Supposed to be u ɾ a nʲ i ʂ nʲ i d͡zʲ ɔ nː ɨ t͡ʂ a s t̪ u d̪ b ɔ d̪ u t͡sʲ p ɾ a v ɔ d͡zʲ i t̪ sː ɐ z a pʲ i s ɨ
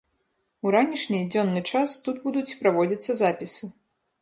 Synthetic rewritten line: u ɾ a nʲ i ʂ nʲ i d͡zʲ ɔ nː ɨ t͡ʂ a s t̪ u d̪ b u d̪ u t͡sʲ p ɾ a v ɔ d͡zʲ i t̪ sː ɐ z a pʲ i s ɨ